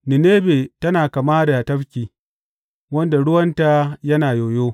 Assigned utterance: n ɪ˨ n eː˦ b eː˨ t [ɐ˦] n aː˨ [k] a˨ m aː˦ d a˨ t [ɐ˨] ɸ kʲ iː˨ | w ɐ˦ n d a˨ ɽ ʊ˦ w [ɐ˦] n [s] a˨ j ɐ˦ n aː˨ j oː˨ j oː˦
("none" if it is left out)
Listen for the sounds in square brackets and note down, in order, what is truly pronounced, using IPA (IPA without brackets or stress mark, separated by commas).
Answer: ɐ˦, k, ɐ˦, ɐ˦, t